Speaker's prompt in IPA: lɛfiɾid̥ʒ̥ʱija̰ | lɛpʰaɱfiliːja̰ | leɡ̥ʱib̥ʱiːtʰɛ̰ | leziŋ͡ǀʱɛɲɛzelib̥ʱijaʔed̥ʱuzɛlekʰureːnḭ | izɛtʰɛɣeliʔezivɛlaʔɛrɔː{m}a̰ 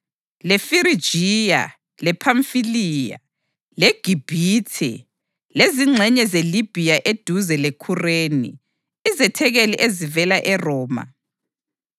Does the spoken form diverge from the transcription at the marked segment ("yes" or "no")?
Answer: no